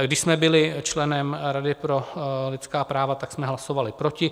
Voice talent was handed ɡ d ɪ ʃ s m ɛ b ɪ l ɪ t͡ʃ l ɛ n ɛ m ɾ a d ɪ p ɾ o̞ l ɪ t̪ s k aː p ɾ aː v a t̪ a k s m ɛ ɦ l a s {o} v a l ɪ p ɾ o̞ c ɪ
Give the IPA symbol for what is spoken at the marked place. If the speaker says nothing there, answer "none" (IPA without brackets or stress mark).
o